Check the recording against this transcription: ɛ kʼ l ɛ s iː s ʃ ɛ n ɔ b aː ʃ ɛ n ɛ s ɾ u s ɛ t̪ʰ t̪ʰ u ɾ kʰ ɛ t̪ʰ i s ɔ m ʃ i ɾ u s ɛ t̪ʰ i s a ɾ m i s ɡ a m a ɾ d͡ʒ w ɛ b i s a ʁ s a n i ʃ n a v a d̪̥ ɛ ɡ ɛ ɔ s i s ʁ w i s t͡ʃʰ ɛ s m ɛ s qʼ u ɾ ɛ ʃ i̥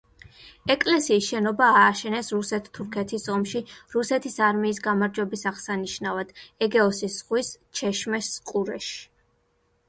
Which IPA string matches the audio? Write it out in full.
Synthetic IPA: ɛ kʼ l ɛ s iː s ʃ ɛ n ɔ b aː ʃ ɛ n ɛ s ɾ u s ɛ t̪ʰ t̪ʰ u ɾ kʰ ɛ t̪ʰ i s ɔ m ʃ i ɾ u s ɛ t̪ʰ i s a ɾ m iː s ɡ a m a ɾ d͡ʒ w ɛ b i s a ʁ s a n i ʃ n a v a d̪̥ ɛ ɡ ɛ ɔ s i s ʁ w i s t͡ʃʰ ɛ ʃ m ɛ s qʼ u ɾ ɛ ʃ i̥